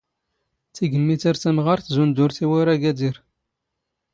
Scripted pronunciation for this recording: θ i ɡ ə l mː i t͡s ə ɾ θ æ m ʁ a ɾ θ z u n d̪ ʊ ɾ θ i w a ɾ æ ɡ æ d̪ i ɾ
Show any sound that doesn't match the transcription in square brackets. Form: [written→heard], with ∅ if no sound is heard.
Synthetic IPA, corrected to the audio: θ i ɡ ə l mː i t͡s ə ɾ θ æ m ʁ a ɾ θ z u n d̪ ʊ ɾ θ i w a ɾ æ ɡ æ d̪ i ɾ

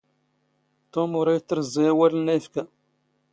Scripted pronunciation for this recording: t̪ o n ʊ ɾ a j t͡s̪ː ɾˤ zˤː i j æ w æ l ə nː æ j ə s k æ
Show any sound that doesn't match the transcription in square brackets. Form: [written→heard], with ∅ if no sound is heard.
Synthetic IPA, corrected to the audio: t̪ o [n→m] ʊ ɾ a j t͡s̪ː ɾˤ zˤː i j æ w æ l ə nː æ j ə [s→f] k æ

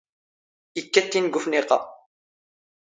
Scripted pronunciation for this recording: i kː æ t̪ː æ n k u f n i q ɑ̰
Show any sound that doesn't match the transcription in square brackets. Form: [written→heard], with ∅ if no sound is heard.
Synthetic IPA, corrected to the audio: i kː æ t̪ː [æ→i] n [k→ɡ] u f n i q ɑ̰

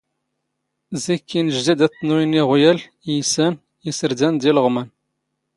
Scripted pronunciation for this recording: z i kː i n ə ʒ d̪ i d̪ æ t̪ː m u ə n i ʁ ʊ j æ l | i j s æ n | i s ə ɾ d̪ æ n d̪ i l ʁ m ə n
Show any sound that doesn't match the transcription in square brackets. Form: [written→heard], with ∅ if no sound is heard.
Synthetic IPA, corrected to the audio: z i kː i n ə ʒ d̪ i d̪ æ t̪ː [m→n] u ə n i ʁ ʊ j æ l | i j s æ n | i s ə ɾ d̪ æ n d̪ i l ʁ m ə n

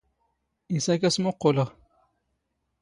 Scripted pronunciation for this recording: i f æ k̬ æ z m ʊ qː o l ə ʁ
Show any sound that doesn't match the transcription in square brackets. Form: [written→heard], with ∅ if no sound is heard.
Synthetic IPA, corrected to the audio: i [f→s] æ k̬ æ [z→s] m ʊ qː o l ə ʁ

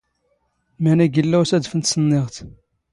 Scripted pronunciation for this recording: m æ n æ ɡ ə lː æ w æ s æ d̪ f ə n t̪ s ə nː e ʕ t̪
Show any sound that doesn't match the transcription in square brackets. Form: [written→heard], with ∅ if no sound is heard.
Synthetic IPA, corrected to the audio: m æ n æ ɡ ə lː æ w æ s æ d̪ f ə n t̪ s ə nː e [ʕ→ʁ] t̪

